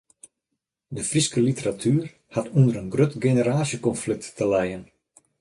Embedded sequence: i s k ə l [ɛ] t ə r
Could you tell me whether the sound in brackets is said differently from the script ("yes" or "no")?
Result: yes